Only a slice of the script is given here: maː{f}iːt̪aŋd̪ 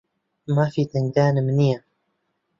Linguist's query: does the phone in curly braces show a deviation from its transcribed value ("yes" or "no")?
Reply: no